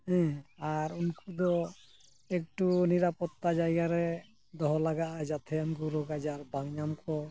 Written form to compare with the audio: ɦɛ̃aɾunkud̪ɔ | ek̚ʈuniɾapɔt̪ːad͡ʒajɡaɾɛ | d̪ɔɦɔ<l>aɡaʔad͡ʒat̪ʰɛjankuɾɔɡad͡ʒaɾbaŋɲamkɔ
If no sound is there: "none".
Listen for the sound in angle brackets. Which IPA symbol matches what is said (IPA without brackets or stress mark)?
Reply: l